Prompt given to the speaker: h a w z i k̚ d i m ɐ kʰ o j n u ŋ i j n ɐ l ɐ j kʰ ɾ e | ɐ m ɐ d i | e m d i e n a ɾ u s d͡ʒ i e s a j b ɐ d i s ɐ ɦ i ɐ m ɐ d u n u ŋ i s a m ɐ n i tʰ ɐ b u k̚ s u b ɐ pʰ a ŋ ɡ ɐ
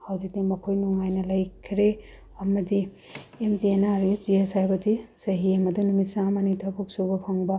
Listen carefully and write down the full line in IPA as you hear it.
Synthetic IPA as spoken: h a w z i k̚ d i m ɐ kʰ o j n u ŋ a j n ɐ l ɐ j kʰ ɾ e | ɐ m ɐ d i | e m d i e n a ɾ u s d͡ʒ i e s a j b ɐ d i s ɐ ɦ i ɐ m ɐ d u n u m i s a m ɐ n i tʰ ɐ b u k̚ s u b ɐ pʰ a ŋ b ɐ